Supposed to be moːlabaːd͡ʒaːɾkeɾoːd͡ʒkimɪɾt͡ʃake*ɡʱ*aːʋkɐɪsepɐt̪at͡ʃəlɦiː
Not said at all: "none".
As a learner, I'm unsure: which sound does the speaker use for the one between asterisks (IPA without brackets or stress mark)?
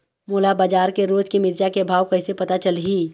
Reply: bʱ